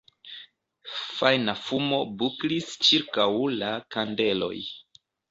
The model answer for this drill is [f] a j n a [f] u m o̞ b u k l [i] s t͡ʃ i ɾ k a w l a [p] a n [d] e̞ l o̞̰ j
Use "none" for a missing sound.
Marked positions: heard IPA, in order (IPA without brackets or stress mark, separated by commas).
f, f, i, k, d